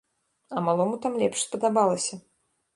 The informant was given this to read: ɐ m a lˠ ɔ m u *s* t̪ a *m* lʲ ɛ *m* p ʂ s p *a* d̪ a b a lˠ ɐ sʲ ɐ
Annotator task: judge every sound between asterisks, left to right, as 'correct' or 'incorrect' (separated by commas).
incorrect, correct, incorrect, incorrect